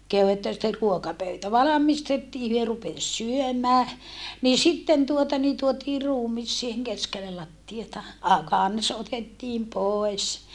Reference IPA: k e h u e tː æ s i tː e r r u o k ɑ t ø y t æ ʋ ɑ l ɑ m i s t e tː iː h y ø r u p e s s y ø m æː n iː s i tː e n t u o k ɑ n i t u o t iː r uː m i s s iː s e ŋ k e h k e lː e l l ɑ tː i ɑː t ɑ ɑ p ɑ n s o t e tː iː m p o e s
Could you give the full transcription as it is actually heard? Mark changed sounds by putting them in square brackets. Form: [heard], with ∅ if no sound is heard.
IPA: k e h u e tː æ s i tː e r r u o k ɑ [p] ø y t æ ʋ ɑ l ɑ m i s t e tː iː h y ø r u p e s s y ø m æː n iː s i tː e n t u o [t] ɑ n i t u o t iː r uː m i s s iː [h] e ŋ k e [s] k e lː e l l ɑ tː i [ɑ] t ɑ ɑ [k] ɑ n s o t e tː iː m p o e s